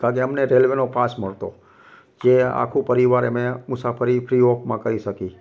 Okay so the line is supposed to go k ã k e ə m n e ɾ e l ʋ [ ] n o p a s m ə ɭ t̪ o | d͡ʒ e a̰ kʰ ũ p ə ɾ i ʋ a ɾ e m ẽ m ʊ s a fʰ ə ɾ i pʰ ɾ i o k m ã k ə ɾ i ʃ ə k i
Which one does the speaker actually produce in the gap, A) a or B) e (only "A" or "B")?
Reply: B